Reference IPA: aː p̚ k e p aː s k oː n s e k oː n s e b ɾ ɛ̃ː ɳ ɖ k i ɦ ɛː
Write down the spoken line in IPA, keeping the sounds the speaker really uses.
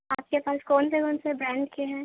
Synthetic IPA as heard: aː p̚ k e p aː s k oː n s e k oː n s e b ɾ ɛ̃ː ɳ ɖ k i ɦ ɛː